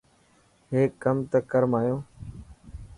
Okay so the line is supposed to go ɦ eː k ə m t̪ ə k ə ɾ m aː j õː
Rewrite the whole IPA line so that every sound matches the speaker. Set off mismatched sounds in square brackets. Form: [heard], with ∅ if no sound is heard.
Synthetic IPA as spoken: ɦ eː k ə m t̪ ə k ə ɾ m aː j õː